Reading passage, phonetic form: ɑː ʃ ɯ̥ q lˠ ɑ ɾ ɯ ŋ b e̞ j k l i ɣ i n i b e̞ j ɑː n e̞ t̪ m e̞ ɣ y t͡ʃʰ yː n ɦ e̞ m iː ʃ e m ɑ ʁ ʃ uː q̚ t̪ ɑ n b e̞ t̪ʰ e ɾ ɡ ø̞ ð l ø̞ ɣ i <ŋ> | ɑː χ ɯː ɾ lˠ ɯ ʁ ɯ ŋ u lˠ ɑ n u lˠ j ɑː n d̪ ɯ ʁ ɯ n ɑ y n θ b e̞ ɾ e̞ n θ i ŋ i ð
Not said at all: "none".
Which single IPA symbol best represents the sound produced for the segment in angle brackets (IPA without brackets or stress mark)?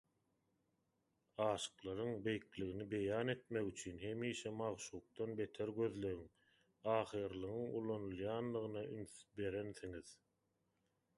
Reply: ŋ